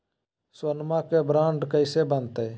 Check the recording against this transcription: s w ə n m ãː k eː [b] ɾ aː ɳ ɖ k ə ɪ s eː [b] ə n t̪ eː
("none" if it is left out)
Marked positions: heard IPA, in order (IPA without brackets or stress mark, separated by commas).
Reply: b, b